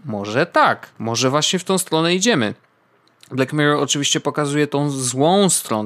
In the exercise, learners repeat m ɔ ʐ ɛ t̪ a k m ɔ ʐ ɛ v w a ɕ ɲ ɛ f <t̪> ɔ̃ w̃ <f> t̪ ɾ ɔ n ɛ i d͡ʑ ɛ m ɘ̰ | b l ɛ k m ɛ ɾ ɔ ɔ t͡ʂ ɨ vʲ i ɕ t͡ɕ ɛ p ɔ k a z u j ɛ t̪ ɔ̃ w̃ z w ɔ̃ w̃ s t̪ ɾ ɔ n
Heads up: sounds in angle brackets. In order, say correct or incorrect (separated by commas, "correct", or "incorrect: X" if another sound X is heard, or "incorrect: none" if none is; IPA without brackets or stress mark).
correct, incorrect: s